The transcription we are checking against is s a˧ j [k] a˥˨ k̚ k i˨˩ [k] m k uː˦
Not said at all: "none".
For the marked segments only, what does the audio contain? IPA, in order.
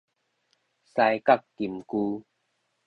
k, none

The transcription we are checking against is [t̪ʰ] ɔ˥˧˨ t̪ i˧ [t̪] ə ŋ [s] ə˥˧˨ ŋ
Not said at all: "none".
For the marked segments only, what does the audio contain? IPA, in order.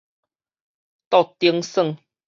t̪, none, s

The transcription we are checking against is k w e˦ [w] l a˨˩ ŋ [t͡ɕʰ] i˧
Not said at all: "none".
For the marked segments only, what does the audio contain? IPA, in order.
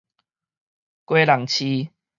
none, t͡ɕʰ

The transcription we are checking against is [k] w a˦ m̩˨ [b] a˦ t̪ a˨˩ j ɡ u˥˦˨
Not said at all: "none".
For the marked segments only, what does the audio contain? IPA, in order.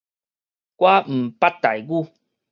k, p

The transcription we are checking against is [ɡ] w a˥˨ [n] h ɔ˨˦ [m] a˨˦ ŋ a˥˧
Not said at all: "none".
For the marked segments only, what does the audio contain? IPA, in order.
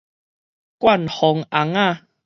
k, n, ŋ

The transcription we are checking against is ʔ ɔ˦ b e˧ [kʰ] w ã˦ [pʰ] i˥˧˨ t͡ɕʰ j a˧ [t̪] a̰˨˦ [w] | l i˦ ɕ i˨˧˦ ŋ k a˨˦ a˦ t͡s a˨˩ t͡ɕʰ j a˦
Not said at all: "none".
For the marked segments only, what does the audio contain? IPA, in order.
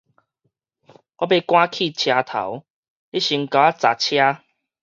k, kʰ, t̪ʰ, w

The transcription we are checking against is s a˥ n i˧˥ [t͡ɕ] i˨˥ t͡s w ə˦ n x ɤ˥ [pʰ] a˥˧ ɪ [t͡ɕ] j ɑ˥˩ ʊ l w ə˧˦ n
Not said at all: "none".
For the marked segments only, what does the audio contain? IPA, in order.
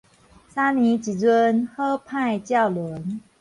t͡ɕ, pʰ, t͡ɕ

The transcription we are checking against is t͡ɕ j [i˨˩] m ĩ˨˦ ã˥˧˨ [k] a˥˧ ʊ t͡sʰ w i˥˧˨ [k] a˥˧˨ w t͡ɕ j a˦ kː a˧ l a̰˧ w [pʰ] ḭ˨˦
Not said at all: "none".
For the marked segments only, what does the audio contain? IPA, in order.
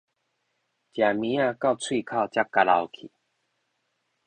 a˨˩, k, kʰ, kʰ

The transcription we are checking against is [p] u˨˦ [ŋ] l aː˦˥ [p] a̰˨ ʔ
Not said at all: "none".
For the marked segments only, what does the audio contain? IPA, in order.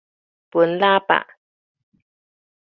p, n, p

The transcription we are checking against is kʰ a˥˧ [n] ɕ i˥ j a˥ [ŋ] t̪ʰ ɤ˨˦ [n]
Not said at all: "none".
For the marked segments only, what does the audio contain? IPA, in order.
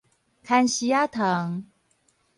n, none, ŋ

